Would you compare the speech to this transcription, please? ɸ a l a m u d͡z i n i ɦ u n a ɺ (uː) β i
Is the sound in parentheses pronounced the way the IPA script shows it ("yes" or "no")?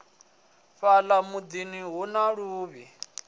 yes